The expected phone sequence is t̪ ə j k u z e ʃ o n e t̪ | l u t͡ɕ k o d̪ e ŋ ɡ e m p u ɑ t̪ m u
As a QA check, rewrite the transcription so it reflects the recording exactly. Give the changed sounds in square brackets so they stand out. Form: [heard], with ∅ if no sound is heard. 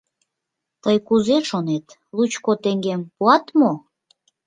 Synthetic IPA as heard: t̪ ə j k u z e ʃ o n e t̪ | l u t͡ɕ k o [t̪] e ŋ ɡ e m p u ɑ t̪ m [o]